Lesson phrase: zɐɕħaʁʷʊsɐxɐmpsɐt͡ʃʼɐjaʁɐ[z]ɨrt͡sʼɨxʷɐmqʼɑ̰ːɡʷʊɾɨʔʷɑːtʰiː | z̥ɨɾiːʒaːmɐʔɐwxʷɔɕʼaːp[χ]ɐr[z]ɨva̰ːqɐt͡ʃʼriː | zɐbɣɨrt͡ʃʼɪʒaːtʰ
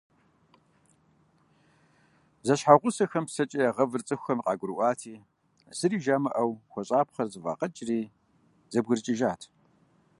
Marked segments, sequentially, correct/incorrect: incorrect: v, correct, correct

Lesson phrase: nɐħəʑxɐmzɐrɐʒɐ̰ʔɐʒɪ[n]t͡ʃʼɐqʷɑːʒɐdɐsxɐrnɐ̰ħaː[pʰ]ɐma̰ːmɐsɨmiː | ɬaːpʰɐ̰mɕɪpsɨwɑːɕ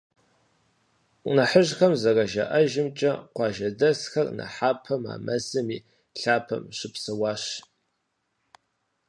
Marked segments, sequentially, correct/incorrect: incorrect: m, correct

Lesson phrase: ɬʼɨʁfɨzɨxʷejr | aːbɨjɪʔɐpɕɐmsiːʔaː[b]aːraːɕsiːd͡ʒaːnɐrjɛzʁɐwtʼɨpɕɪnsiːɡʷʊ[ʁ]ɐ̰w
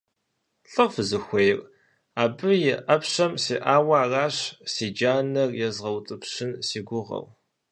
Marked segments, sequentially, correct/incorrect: incorrect: w, correct

